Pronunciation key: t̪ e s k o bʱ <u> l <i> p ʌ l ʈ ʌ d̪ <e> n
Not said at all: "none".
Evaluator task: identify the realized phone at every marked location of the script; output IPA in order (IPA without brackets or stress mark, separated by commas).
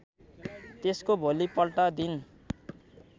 o, i, i